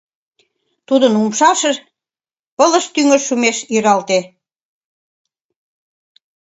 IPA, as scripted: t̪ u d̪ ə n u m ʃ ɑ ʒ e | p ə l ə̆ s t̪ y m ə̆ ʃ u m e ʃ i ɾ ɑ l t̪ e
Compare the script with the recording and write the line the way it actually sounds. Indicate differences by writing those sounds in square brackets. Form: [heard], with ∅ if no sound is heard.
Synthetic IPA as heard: t̪ u d̪ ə n u m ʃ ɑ [ʃ] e | p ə l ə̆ [ʃ] t̪ y [ŋ] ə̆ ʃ u m e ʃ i ɾ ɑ l t̪ e